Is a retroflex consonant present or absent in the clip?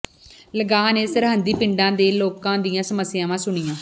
present